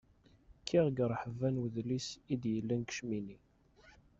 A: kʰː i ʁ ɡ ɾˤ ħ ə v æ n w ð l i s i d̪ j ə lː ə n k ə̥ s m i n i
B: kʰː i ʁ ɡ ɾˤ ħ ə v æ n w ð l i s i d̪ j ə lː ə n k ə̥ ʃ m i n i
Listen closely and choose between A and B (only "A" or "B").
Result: B